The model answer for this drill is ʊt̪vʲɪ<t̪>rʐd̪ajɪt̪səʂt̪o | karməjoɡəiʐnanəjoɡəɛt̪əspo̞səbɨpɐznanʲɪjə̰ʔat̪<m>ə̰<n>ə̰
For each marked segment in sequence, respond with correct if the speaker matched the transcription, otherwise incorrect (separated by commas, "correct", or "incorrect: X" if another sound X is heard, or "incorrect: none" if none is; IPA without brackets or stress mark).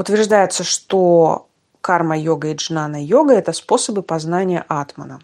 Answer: incorrect: none, correct, correct